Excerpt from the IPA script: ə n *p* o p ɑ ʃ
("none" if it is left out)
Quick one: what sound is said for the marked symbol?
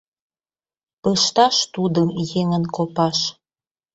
k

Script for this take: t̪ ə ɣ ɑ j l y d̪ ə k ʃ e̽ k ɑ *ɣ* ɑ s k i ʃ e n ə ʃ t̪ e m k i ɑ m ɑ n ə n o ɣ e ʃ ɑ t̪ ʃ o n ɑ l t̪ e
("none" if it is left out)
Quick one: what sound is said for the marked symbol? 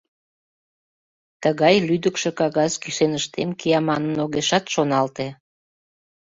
ɣ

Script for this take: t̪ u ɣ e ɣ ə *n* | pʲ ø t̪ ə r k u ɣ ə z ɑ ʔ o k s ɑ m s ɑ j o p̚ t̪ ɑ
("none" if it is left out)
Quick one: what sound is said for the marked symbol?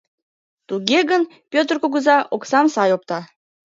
n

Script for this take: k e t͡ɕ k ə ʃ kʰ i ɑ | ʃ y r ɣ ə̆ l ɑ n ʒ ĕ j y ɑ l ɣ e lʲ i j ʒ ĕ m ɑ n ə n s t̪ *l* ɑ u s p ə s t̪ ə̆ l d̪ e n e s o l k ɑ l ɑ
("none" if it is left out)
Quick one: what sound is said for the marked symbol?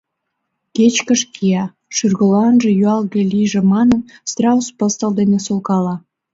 r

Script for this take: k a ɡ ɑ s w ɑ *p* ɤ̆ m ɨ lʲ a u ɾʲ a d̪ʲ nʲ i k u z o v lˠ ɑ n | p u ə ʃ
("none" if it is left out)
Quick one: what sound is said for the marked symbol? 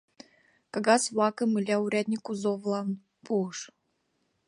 k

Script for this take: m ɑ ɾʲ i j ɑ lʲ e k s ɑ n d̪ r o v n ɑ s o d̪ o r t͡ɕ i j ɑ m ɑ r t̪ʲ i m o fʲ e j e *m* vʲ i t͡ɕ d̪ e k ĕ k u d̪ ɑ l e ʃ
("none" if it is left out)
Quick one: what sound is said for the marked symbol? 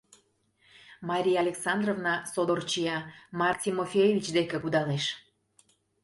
none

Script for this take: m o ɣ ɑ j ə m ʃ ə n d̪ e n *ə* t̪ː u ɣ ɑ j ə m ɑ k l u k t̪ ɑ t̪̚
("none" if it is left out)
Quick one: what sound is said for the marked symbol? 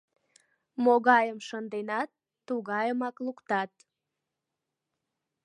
ɑ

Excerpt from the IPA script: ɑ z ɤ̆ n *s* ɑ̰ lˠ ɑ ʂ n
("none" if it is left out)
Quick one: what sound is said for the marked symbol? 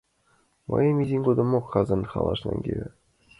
χ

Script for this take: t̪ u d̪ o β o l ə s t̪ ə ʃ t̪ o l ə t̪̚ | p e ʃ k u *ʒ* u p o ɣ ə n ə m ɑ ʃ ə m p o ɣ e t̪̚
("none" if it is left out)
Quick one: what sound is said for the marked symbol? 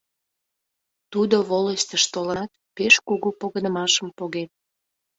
ɣ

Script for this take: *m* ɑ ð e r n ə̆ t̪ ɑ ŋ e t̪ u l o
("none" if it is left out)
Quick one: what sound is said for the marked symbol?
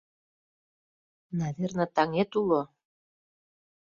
n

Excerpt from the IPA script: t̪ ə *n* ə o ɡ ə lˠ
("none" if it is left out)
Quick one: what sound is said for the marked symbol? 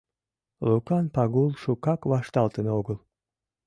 n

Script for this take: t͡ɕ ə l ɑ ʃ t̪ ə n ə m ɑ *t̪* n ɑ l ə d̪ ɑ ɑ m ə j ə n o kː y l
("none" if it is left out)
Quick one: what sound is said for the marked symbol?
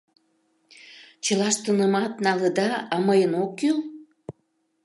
t̪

